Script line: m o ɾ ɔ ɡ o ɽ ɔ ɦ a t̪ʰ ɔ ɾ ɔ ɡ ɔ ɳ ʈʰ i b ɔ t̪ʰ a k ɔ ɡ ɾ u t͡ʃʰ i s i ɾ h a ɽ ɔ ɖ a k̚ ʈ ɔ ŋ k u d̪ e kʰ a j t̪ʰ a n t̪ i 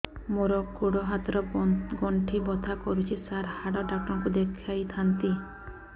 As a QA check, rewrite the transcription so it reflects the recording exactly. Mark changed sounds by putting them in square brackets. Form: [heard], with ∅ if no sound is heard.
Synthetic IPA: m o ɾ ɔ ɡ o ɽ ɔ ɦ a [t̪] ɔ ɾ ɔ ɡ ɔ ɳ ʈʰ i b ɔ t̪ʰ a k ɔ [∅] ɾ u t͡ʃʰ i s [a] ɾ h a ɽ ɔ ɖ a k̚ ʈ ɔ ŋ k u d̪ e kʰ a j t̪ʰ a n t̪ i